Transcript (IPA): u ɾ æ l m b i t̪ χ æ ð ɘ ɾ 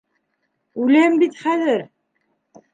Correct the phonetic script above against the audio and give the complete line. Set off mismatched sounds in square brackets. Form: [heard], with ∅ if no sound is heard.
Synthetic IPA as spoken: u [l] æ [∅] m b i t̪ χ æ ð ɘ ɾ